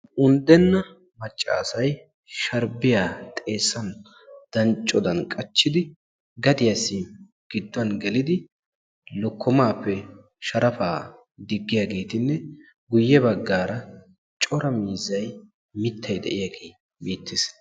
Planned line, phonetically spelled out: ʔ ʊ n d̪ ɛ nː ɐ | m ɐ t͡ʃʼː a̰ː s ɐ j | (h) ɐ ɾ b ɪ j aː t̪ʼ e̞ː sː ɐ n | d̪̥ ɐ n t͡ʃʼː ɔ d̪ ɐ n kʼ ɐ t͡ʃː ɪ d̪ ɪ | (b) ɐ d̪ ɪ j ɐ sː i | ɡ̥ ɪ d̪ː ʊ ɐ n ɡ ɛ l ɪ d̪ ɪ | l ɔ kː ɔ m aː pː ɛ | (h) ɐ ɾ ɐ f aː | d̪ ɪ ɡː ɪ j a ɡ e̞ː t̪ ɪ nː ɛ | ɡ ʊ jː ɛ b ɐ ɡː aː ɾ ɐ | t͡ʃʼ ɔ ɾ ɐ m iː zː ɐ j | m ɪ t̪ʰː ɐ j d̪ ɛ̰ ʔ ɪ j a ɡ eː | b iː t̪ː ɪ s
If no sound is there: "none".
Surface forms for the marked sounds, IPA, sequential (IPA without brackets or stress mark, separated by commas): ʃ, ɡ, ʃ